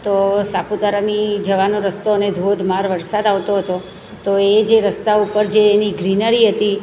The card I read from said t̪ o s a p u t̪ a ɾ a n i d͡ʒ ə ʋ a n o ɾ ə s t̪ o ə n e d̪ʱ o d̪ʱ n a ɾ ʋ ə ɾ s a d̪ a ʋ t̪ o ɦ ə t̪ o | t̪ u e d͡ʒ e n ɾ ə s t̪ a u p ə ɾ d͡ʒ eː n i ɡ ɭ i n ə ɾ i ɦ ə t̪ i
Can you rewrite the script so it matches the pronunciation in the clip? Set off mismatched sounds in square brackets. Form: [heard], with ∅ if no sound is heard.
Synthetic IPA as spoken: t̪ o s a p u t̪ a ɾ a n i d͡ʒ ə ʋ a n o ɾ ə s t̪ o ə n e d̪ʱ o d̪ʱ [m] a ɾ ʋ ə ɾ s a d̪ a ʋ t̪ o ɦ ə t̪ o | t̪ [o] e d͡ʒ e [∅] ɾ ə s t̪ a u p ə ɾ d͡ʒ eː n i ɡ [ɾ] i n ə ɾ i ɦ ə t̪ i